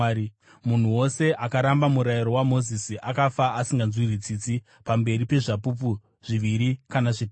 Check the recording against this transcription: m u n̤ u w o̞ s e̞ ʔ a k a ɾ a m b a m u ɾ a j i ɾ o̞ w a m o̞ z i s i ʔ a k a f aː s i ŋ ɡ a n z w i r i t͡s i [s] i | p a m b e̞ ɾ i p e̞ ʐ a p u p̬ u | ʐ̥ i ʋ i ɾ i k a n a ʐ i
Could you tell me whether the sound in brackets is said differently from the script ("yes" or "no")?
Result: yes